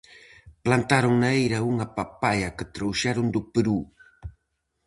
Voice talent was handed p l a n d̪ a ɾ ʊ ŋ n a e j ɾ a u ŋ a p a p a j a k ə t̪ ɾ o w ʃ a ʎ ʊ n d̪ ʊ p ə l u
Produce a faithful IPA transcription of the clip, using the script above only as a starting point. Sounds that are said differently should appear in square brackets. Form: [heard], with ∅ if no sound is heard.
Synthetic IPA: p l a n [t̪] a ɾ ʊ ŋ n a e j ɾ a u ŋ a p a p a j a k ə t̪ ɾ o w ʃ a [ɾ] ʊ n d̪ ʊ p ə [ɾ] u